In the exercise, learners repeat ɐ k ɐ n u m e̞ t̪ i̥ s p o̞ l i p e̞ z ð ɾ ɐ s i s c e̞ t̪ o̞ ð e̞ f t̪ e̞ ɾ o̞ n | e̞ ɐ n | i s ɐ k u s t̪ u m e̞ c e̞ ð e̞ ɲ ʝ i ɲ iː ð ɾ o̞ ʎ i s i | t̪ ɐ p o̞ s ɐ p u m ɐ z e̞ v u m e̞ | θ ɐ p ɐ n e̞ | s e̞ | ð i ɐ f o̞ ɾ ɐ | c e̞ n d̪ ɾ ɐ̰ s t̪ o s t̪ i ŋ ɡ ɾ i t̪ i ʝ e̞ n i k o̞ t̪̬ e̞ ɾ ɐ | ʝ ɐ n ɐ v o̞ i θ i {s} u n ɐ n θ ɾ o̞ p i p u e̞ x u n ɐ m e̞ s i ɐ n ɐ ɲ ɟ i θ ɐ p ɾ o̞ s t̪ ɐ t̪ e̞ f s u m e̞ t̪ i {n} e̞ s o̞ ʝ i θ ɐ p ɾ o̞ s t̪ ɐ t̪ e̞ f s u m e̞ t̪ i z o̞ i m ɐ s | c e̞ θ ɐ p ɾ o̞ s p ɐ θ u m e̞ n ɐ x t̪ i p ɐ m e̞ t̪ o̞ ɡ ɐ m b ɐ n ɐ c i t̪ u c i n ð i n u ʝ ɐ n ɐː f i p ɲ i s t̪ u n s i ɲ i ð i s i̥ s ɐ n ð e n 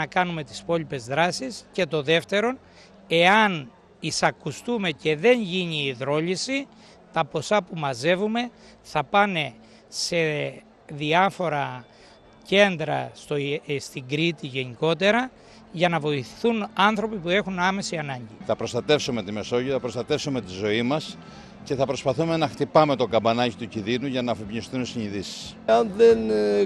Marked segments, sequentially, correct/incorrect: incorrect, incorrect

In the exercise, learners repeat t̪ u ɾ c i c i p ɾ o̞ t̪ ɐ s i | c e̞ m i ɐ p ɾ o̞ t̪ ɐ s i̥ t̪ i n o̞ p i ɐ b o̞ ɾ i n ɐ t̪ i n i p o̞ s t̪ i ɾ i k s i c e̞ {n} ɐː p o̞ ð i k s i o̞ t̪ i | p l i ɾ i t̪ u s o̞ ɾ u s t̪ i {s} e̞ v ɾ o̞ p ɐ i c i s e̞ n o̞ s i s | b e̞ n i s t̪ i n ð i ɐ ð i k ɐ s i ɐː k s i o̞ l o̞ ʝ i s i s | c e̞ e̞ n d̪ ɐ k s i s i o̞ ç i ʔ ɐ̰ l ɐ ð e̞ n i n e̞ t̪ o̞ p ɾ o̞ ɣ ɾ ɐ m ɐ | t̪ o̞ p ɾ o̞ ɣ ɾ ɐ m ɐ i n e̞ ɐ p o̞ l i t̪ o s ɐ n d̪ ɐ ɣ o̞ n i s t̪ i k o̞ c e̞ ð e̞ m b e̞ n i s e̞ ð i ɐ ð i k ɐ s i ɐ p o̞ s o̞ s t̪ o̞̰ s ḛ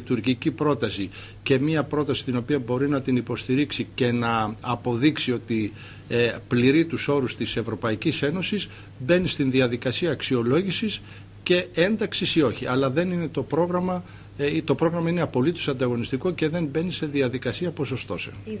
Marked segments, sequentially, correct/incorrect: correct, correct

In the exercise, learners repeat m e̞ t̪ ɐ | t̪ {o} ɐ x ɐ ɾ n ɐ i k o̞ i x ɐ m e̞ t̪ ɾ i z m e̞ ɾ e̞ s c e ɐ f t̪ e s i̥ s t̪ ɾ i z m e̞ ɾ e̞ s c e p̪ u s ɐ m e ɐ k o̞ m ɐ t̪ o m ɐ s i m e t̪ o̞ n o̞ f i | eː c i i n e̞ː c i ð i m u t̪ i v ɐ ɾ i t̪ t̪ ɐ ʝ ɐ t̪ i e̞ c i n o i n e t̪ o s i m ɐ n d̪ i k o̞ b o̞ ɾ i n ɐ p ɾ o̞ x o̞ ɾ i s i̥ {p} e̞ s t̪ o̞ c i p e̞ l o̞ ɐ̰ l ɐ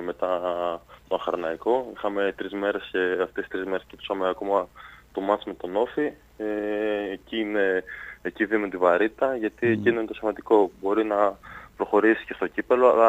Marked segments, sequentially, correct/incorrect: correct, incorrect

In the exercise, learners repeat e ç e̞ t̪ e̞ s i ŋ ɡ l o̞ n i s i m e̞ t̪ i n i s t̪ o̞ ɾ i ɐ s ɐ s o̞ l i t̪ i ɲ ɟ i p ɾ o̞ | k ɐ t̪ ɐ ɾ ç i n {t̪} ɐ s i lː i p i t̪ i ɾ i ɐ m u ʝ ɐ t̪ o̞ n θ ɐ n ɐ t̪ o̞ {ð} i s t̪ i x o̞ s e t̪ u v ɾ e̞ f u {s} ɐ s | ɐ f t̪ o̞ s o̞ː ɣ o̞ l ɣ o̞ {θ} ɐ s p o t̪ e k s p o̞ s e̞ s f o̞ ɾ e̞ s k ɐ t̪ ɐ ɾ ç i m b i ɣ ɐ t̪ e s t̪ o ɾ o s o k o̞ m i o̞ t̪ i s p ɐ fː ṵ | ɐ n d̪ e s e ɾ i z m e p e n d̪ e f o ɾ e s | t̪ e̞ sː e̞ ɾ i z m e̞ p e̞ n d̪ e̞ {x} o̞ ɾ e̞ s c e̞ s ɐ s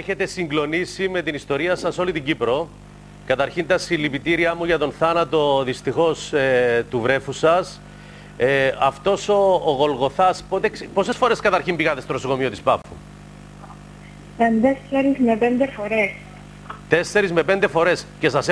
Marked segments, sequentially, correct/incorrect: correct, correct, correct, correct, incorrect

